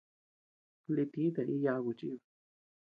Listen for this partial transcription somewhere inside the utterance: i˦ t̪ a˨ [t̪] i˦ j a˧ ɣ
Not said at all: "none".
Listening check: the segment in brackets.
none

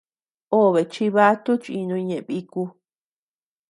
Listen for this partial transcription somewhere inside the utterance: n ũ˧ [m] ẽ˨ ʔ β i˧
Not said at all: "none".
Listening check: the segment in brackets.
ɲ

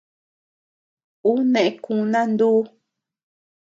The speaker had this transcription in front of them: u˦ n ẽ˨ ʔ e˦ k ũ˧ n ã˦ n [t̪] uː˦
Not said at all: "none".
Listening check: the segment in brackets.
d̪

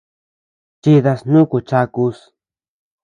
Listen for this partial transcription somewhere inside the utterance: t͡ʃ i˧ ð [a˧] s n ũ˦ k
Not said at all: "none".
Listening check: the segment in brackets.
a˧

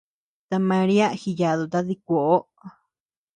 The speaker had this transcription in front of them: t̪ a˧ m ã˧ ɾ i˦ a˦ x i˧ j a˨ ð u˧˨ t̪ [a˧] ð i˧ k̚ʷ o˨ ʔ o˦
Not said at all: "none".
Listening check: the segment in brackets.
a˧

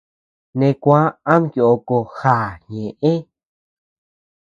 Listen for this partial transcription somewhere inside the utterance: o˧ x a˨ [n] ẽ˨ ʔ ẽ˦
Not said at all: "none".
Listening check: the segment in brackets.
ɲ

